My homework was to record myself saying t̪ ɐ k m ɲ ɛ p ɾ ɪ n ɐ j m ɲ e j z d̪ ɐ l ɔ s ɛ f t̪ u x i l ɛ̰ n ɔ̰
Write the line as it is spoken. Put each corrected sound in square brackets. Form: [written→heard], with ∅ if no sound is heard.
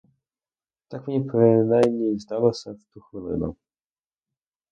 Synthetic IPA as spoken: t̪ [ɐ→a] k m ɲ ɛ p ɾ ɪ n [ɐ→a] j m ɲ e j z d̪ [ɐ→a] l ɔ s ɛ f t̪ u x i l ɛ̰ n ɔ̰